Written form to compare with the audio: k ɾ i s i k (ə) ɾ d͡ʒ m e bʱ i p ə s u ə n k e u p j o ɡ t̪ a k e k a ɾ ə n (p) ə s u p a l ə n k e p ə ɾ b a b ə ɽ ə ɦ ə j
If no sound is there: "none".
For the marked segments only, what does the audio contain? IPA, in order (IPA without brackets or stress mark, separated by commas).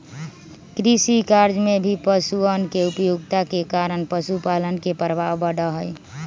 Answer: a, p